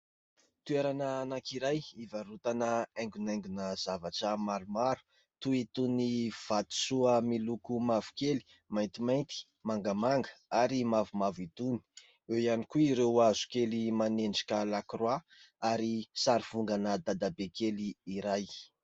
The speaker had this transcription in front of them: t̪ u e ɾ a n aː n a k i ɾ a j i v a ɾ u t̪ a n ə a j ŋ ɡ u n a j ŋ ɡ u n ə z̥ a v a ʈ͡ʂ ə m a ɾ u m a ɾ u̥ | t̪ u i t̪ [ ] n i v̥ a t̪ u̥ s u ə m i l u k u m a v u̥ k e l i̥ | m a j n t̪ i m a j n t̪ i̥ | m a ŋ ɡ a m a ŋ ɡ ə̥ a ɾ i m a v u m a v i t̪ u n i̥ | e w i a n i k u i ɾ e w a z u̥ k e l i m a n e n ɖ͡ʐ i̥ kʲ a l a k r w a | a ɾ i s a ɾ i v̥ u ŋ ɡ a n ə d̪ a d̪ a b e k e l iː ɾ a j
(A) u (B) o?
A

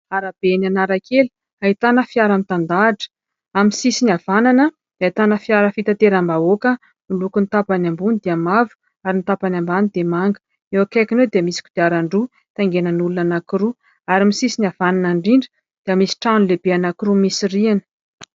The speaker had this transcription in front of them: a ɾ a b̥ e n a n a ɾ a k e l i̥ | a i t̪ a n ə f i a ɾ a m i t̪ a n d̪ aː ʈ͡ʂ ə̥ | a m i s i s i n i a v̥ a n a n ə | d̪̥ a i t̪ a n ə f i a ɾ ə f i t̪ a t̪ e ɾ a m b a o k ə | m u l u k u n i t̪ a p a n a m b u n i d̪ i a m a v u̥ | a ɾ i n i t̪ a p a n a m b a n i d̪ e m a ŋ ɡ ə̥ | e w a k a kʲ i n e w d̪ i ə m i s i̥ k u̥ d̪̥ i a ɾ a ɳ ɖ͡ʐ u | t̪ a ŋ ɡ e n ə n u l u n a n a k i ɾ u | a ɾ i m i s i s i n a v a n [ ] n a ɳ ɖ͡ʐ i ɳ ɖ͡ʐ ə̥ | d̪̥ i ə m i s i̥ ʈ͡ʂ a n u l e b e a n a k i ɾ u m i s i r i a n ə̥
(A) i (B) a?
B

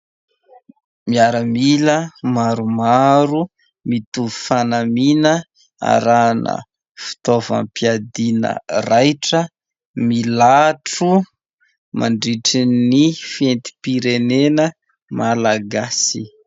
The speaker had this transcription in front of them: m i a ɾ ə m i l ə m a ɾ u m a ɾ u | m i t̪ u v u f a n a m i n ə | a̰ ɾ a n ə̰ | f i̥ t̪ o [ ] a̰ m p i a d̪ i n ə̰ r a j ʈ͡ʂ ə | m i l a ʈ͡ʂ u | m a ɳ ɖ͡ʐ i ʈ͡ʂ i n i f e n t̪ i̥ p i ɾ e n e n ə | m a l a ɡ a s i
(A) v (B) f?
A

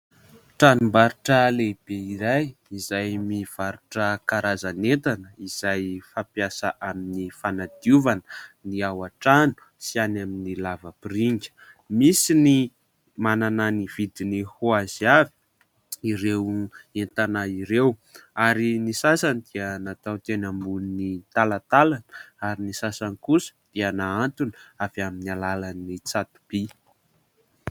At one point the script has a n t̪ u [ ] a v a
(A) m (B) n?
B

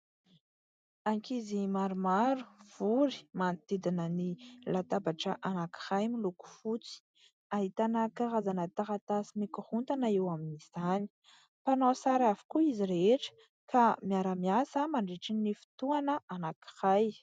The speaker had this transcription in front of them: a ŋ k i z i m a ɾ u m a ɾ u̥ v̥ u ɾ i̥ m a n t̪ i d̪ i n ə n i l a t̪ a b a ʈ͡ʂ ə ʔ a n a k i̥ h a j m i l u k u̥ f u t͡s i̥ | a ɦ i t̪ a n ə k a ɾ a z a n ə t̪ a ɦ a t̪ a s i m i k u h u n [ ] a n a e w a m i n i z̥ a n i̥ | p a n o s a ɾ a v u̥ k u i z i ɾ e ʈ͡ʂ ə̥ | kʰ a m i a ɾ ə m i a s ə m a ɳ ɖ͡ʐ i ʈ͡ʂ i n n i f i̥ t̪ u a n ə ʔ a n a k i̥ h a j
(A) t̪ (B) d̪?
A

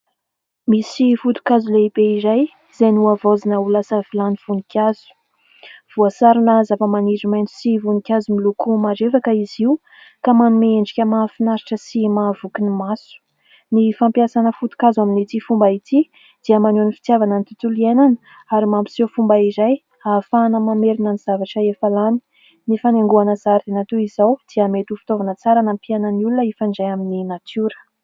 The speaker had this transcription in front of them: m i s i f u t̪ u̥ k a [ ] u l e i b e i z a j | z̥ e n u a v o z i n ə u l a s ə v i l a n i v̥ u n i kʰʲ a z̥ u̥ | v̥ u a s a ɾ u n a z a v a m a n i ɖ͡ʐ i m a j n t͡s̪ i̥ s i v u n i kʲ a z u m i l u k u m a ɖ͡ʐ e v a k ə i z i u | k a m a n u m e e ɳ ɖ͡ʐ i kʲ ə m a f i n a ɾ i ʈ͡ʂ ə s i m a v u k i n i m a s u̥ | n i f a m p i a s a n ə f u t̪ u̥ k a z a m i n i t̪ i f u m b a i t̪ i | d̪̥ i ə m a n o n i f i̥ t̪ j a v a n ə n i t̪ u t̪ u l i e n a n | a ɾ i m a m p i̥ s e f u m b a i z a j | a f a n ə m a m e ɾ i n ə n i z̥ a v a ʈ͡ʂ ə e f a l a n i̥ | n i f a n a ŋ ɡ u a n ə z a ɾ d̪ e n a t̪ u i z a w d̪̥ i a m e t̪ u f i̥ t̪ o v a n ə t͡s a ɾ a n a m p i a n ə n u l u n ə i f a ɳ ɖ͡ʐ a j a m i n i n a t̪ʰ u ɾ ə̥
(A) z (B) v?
A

